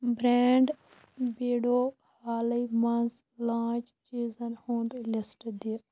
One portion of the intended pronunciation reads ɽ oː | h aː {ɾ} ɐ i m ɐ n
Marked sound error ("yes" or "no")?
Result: yes